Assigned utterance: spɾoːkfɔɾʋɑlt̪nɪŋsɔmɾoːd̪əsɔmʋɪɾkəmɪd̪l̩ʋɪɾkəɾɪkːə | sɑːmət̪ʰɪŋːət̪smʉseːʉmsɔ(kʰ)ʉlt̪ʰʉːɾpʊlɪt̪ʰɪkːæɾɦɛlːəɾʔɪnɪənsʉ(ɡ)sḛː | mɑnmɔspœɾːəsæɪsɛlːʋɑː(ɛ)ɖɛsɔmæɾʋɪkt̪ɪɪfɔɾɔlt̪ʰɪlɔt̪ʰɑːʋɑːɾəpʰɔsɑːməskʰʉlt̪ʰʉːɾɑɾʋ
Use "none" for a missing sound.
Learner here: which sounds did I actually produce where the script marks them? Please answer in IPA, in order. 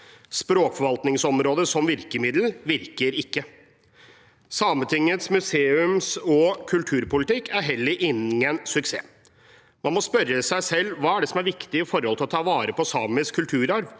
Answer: kʰ, k, æ

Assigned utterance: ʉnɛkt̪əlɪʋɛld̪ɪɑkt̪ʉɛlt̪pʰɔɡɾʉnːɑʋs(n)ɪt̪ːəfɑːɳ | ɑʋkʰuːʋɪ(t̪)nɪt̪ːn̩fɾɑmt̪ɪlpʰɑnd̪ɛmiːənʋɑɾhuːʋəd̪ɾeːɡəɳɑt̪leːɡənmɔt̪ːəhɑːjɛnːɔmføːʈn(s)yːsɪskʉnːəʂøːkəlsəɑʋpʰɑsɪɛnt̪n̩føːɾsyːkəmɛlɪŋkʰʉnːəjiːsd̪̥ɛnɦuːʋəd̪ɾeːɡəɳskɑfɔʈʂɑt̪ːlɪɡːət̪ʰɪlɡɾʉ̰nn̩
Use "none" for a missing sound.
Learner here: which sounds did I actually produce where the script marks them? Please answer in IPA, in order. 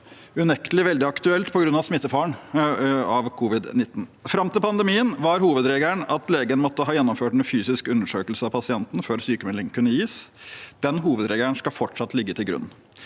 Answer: m, d̪, f

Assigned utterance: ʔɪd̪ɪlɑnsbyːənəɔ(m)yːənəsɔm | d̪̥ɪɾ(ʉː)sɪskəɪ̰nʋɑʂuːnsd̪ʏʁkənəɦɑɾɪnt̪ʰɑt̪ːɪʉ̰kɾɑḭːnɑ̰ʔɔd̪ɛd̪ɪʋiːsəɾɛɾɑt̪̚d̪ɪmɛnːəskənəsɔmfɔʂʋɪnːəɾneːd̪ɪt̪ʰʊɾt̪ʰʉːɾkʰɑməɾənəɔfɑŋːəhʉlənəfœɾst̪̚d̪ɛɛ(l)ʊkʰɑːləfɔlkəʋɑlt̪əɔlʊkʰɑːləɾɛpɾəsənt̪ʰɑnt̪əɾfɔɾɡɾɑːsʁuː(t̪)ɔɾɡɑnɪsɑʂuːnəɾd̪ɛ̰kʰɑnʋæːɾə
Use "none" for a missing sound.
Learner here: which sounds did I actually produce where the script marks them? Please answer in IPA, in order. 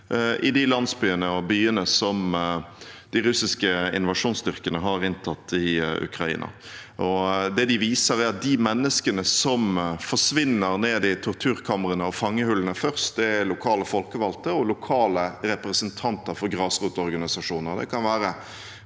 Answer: b, ʉ, l, t̪

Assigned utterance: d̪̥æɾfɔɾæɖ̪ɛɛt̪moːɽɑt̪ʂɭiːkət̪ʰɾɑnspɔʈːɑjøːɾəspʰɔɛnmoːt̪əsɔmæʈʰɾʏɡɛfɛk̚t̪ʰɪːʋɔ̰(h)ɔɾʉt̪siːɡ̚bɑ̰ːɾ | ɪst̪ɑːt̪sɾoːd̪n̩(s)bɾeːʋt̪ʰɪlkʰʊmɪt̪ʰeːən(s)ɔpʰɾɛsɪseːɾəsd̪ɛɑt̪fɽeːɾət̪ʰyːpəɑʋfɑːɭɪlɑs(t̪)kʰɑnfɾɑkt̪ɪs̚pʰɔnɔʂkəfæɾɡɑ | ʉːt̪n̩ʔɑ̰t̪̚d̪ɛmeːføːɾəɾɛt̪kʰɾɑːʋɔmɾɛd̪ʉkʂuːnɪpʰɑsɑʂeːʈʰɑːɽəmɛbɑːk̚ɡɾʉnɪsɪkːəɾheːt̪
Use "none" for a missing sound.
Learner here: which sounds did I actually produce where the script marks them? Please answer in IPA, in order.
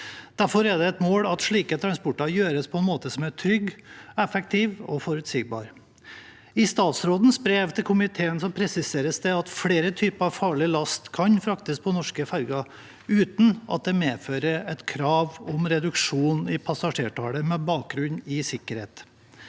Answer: f, s, s, t̪

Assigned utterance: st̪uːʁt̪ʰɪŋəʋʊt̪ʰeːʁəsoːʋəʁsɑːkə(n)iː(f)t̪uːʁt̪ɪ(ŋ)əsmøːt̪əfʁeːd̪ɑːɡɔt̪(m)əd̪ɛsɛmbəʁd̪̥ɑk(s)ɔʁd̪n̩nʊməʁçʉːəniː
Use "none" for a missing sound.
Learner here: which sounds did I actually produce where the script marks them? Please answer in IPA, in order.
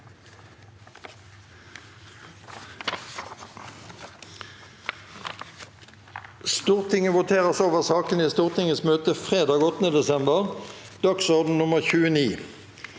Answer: n, s, ŋ, n, s

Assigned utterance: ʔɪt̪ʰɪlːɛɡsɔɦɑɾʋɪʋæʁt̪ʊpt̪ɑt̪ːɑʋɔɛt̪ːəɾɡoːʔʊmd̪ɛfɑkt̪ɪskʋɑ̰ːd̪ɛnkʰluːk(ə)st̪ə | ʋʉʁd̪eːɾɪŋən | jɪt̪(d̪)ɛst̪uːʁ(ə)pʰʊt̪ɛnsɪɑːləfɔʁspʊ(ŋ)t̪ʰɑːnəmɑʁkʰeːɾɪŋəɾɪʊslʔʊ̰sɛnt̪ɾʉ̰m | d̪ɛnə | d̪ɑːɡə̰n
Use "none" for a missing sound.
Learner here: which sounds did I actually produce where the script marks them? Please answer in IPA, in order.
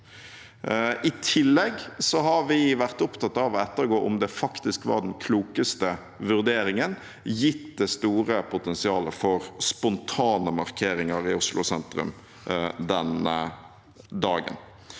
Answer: ə, d̪, ə, n

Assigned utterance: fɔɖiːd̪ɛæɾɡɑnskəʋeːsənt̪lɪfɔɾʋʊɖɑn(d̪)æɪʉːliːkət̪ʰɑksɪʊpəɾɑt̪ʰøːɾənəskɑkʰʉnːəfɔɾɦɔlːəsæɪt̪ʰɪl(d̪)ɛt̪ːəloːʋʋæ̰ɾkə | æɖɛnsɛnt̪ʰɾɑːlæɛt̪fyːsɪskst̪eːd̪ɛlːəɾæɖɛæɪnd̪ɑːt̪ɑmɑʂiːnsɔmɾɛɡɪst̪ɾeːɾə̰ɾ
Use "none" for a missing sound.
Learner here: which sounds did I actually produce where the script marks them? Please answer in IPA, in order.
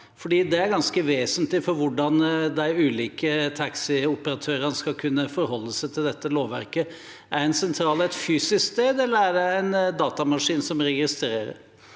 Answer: d̪, d̪

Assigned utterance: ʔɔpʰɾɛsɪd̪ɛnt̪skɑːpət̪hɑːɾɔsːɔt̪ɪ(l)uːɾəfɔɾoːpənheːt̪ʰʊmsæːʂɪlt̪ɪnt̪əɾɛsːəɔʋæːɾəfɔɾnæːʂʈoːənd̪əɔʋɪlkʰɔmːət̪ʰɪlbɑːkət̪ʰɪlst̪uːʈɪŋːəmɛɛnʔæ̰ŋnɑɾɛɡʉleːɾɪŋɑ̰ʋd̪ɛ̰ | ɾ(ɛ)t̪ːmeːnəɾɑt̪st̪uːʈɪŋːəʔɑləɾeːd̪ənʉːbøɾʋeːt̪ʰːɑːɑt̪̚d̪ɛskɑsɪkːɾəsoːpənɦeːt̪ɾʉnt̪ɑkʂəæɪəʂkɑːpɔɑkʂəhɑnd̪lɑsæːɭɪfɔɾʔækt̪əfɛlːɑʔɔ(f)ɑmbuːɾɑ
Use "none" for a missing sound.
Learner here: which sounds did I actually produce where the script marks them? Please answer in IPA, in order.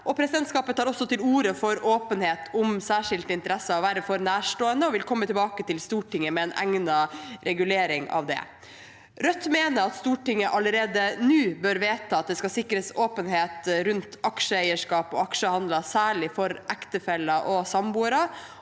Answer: l, œ, s

